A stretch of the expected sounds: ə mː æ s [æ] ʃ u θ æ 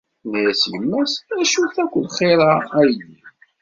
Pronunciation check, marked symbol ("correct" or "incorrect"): correct